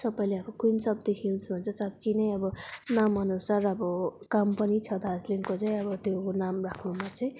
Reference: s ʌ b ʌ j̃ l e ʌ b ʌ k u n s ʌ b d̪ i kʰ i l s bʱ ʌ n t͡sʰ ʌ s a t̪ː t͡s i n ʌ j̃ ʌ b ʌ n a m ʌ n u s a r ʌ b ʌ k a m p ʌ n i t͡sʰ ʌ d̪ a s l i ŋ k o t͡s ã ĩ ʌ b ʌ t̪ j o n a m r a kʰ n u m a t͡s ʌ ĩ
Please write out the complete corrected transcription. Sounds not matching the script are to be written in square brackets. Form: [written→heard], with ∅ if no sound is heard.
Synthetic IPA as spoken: s ʌ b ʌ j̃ l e ʌ b ʌ k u n s ʌ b d̪ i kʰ i l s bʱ ʌ n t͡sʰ ʌ s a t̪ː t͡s i n ʌ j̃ ʌ b ʌ n a m ʌ n u s a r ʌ b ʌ k a m p ʌ n i t͡sʰ ʌ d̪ a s l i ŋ k o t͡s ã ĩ ʌ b ʌ t̪ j o n a m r a kʰ n u m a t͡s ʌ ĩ